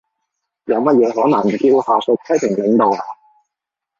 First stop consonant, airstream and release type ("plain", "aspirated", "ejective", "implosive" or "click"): plain